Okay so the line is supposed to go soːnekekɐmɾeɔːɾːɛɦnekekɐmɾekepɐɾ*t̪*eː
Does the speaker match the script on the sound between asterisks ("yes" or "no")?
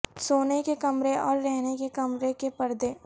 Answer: no